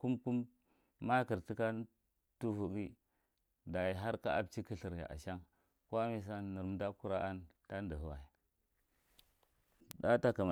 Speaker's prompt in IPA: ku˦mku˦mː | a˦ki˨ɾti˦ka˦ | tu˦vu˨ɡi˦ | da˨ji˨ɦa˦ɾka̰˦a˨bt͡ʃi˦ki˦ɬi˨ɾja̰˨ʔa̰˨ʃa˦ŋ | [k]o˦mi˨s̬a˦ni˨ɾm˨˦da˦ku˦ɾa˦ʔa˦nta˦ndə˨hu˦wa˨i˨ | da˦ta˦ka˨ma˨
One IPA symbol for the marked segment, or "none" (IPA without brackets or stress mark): k